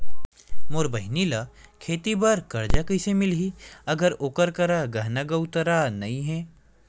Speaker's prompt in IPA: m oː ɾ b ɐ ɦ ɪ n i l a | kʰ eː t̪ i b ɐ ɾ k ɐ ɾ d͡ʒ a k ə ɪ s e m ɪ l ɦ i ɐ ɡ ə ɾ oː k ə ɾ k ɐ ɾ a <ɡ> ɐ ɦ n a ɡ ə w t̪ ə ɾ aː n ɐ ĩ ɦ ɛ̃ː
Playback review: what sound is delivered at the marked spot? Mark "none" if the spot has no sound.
ɡ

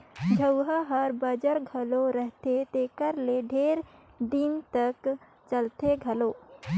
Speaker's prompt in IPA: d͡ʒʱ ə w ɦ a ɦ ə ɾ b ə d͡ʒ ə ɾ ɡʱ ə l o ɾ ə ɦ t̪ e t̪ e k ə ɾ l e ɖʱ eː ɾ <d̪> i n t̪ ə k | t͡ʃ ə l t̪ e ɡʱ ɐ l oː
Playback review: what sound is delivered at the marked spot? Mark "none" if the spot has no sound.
d̪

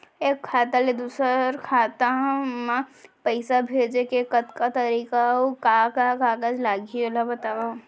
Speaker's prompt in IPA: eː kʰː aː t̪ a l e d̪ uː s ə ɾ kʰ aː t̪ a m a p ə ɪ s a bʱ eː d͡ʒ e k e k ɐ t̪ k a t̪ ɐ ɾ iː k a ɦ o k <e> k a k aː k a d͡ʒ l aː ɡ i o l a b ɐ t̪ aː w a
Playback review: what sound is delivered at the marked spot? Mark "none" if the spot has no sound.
a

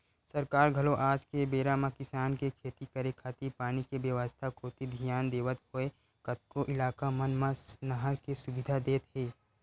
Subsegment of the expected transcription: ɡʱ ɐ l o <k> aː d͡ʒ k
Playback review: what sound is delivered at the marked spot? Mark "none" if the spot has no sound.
ʔ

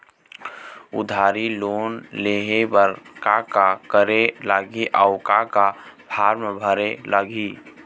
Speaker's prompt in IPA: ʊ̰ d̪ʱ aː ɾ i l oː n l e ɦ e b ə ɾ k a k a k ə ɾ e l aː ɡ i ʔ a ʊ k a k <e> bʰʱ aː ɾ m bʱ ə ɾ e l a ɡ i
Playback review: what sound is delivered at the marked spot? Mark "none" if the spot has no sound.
a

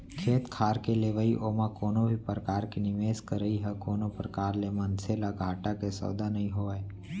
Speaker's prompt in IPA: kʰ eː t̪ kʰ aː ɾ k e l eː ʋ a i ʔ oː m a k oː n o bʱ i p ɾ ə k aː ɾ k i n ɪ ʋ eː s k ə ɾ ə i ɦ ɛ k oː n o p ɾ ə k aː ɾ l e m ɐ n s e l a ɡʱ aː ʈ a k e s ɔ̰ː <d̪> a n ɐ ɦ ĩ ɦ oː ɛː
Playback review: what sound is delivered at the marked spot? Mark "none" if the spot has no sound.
d̪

